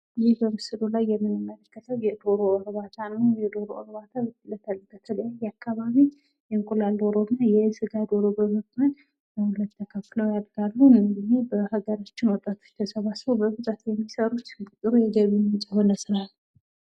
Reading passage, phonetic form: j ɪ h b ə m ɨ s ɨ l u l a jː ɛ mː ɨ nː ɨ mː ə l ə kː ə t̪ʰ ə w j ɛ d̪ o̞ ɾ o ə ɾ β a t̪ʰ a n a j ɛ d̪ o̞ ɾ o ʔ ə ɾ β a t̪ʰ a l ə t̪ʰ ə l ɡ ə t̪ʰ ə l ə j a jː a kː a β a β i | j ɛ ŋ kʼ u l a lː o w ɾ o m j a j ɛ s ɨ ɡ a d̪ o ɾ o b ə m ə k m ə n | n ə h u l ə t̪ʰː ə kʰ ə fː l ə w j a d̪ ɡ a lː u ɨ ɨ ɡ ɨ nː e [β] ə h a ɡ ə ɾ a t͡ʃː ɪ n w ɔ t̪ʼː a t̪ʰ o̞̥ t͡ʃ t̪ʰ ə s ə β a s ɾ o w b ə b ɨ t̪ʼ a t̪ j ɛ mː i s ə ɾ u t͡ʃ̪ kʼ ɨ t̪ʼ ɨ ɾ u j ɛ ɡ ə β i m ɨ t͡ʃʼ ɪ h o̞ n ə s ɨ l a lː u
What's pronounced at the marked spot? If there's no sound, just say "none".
b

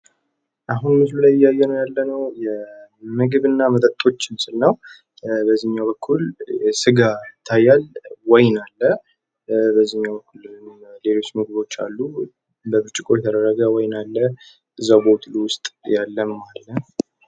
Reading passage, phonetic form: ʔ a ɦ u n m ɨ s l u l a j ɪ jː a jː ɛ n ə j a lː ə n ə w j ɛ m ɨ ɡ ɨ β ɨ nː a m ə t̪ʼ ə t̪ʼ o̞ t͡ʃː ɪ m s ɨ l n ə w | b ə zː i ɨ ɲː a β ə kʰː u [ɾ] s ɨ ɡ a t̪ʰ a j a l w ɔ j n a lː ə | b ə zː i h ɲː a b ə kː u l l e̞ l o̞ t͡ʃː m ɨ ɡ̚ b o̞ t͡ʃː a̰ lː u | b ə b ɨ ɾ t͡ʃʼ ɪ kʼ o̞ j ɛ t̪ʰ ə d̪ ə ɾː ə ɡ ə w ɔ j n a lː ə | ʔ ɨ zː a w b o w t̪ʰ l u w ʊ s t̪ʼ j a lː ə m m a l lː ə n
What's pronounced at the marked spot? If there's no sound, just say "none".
l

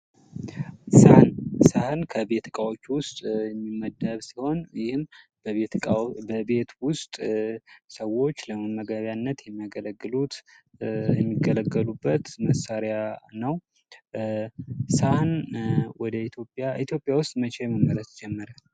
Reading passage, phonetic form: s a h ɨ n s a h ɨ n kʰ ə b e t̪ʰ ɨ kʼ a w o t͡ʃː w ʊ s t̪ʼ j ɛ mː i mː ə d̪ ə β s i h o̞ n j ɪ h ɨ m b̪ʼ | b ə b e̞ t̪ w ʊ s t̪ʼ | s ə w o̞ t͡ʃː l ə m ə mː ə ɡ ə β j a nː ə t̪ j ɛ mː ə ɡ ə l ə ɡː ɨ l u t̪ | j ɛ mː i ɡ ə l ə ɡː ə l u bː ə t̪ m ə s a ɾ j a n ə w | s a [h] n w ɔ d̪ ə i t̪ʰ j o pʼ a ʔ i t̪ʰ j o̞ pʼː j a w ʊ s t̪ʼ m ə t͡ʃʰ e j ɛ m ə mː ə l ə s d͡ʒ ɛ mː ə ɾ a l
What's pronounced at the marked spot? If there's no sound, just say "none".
h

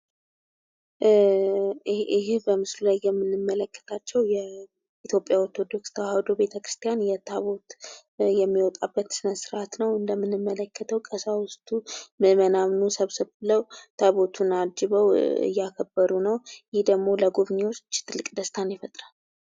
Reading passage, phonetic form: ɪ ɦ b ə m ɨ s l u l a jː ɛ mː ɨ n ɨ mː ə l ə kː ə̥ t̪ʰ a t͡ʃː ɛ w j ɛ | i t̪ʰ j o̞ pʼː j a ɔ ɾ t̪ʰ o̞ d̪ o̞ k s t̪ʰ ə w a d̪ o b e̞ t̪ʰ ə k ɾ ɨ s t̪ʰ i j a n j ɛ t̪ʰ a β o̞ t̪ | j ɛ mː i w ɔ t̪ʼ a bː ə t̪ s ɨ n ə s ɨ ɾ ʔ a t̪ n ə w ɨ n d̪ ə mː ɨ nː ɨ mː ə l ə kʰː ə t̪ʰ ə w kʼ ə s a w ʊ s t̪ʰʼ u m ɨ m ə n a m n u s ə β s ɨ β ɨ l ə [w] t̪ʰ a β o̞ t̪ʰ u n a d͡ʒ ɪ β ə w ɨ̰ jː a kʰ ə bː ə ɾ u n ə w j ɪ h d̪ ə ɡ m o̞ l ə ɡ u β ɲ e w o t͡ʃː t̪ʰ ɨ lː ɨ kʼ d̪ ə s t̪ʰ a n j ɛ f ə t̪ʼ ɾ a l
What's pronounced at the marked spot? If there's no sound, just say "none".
w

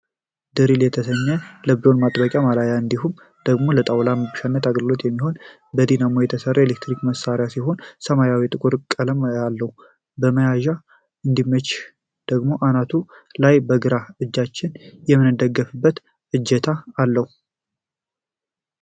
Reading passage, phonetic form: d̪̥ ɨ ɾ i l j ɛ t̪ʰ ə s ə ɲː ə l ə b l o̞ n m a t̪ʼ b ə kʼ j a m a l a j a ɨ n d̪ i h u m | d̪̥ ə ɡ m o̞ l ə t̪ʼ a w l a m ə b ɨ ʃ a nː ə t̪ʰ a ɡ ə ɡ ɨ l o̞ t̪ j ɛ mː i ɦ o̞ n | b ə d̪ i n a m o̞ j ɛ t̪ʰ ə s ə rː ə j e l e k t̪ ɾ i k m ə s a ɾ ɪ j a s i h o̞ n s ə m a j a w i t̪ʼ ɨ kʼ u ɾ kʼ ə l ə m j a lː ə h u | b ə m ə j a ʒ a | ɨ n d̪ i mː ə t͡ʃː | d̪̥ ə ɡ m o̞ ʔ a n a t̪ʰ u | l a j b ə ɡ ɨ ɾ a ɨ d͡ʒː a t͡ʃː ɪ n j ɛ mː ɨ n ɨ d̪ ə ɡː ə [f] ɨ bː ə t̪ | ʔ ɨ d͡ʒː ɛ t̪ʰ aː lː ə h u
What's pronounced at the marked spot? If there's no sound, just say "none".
f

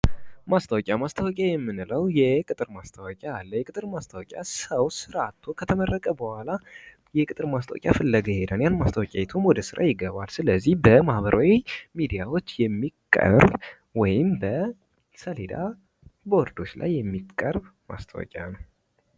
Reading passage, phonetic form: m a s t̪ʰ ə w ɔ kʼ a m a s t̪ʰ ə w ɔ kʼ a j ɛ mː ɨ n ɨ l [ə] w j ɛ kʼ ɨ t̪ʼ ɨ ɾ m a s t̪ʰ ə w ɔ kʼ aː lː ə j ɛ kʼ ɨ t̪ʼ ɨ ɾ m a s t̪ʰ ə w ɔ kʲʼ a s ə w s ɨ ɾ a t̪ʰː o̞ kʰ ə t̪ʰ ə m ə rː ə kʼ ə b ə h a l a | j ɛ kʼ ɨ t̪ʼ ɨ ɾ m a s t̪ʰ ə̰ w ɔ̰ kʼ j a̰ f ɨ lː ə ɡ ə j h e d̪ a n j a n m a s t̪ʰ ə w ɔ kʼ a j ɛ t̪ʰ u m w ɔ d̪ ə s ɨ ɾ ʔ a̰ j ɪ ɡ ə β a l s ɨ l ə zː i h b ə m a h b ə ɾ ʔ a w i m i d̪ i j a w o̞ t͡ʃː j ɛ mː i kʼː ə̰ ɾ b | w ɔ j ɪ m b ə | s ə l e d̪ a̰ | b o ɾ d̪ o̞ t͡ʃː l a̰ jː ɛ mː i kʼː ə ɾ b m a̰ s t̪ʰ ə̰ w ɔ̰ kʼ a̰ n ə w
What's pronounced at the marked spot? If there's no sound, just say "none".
ə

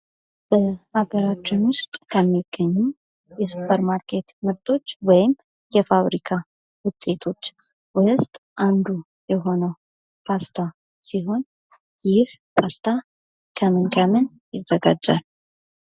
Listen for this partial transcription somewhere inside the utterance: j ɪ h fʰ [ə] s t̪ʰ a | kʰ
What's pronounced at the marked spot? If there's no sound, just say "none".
a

